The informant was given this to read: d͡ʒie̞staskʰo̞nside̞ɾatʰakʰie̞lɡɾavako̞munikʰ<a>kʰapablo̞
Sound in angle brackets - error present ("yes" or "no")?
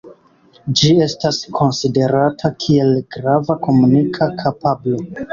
no